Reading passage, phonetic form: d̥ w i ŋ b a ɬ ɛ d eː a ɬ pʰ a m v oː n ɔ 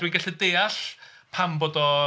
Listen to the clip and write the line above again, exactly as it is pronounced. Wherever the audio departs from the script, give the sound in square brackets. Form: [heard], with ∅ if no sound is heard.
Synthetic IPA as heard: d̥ w i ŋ [ɡ] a ɬ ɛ d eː a ɬ pʰ a m [b] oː [d] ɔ